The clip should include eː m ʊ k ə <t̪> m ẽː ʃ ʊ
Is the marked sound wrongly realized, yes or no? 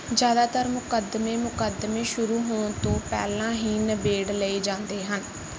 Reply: yes